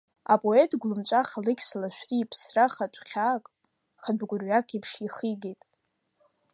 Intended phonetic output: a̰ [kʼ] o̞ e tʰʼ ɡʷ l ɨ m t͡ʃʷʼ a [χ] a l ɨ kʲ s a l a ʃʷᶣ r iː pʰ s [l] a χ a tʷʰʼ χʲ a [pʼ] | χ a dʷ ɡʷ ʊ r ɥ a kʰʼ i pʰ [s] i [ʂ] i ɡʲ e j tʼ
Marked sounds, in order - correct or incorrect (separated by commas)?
incorrect, correct, incorrect, incorrect, incorrect, incorrect